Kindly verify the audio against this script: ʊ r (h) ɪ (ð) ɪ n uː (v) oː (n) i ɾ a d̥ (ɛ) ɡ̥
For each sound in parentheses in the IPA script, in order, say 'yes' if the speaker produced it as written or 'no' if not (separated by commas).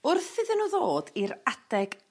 no, yes, no, no, yes